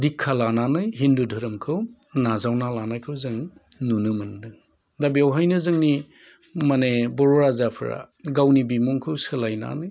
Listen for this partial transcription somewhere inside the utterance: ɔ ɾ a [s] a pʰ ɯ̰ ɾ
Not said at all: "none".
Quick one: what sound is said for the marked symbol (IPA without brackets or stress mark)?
z